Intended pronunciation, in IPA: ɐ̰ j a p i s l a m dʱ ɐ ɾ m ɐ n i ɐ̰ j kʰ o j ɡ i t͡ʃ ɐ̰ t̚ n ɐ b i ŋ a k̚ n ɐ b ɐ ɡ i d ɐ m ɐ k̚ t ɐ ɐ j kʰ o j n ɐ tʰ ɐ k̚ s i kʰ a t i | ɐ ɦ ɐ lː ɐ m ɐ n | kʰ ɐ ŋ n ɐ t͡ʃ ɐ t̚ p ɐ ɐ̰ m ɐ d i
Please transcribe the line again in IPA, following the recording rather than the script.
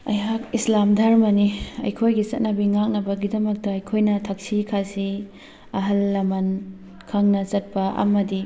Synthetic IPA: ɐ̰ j a k i s l a m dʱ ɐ ɾ m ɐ n i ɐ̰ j kʰ o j ɡ i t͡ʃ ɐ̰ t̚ n ɐ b i ŋ a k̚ n ɐ b ɐ ɡ i d ɐ m ɐ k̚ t ɐ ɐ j kʰ o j n ɐ tʰ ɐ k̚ s i kʰ a s i | ɐ ɦ ɐ lː ɐ m ɐ n | kʰ ɐ ŋ n ɐ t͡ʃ ɐ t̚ p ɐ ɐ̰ m ɐ d i